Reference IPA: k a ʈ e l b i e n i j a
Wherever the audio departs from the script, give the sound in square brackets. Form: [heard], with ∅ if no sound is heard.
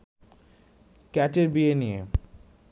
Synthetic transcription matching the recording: k [ɛ] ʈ e [ɾ] b i e n i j [e]